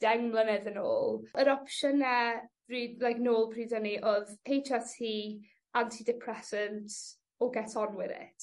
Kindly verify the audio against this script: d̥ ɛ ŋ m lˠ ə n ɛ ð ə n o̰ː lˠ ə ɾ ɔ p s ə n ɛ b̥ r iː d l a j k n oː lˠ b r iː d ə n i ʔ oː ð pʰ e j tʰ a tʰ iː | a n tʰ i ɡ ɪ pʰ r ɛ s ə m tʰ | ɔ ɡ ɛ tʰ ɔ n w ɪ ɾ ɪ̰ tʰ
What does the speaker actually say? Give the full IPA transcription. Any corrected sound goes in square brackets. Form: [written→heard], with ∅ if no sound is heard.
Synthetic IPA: d̥ ɛ ŋ m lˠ ə n ɛ ð ə n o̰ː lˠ ə ɾ ɔ p [s→ʃ] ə n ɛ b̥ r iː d l a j k n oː lˠ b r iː d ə n i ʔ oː ð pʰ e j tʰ a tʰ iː | a n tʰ i [ɡ→d] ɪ pʰ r ɛ s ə [m→n] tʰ | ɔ ɡ ɛ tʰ ɔ n w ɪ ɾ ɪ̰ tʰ